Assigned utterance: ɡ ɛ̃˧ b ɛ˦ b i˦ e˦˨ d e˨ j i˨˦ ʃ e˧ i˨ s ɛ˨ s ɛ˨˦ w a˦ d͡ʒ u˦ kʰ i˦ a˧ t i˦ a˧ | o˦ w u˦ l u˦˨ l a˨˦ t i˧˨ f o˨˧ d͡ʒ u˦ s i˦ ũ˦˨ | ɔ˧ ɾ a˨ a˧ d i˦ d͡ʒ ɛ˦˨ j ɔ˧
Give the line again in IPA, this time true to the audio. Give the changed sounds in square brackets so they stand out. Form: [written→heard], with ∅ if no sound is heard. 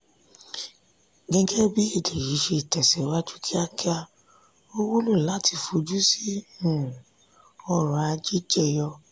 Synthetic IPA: ɡ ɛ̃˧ [b→ɡ] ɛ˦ b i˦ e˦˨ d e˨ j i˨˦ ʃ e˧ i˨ [s→t] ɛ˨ s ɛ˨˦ w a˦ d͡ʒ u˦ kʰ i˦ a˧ [t→k] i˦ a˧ | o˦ w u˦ l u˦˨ l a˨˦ t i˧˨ f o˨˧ d͡ʒ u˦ s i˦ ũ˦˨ | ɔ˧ ɾ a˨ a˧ [d→d͡ʒ] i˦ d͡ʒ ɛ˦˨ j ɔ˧

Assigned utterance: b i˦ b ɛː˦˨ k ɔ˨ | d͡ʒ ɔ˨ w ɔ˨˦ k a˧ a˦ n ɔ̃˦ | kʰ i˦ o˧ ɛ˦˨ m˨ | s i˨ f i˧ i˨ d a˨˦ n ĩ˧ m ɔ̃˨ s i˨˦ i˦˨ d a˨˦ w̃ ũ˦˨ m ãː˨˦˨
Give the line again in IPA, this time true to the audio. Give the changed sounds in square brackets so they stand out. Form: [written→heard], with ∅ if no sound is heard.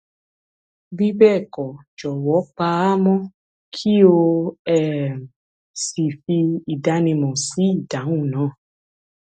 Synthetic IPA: b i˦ b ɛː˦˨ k ɔ˨ | d͡ʒ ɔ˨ w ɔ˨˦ [k→k͡p] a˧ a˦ [n→m] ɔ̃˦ | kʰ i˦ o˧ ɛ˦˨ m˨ | s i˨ f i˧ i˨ d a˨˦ n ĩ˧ m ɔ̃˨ s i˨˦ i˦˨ d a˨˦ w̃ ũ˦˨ [m→n] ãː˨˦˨

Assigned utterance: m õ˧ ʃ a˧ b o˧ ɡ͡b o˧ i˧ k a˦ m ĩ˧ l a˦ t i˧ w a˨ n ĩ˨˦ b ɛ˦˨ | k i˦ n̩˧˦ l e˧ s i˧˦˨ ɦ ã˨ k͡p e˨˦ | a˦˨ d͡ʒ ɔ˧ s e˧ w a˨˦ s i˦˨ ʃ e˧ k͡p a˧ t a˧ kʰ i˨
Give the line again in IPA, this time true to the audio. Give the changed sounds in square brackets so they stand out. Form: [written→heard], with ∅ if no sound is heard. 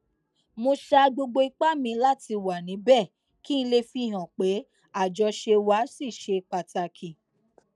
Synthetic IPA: m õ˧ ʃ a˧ [b→ɡ͡b] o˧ ɡ͡b o˧ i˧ [k→k͡p] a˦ m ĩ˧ l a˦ t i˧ w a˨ n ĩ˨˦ b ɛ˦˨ | k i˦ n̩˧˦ l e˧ [s→f] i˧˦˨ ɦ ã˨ k͡p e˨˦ | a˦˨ d͡ʒ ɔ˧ [s→ʃ] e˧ w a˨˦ s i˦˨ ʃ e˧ k͡p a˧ t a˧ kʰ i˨

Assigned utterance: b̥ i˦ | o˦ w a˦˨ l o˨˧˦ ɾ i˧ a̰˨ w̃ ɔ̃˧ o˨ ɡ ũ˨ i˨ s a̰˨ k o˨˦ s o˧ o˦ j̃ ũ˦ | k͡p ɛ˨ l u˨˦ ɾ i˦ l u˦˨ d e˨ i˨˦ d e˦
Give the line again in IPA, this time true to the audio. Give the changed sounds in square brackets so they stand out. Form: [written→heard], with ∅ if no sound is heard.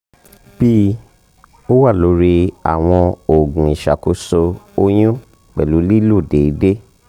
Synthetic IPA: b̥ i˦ | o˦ w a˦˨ l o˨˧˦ ɾ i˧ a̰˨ w̃ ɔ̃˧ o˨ ɡ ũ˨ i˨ [s→ʃ] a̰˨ k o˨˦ s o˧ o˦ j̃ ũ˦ | k͡p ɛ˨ l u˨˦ [ɾ→l] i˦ l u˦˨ d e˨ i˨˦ d e˦

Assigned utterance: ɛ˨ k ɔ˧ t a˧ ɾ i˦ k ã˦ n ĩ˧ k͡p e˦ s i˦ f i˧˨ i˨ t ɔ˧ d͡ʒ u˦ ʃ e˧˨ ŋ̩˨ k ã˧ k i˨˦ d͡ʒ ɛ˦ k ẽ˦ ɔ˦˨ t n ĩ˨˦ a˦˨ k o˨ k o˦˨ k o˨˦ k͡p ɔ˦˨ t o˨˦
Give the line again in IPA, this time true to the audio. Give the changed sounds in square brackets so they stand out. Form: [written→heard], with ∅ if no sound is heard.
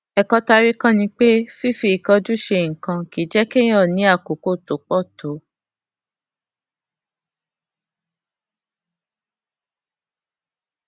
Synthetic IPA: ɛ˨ k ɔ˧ t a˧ ɾ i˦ k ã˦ n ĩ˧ k͡p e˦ [s→f] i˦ f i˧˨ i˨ [t→k] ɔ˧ d͡ʒ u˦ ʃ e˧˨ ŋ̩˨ k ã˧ k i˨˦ d͡ʒ ɛ˦ k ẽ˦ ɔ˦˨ [t→∅] n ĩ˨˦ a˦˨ k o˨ k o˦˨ [k→t] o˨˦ k͡p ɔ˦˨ t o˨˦

